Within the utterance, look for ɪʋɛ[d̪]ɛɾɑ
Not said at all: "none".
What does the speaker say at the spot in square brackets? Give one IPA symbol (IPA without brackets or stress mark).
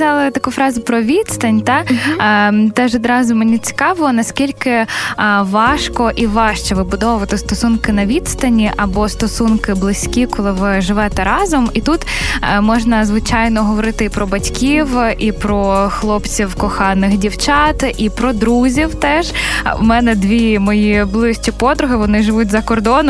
t̪